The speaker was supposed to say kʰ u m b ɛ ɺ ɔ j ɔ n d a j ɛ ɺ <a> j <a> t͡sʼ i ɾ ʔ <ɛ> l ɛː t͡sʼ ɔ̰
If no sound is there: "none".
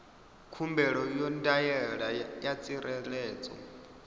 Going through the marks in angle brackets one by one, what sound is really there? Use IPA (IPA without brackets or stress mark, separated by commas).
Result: a, a, ɛ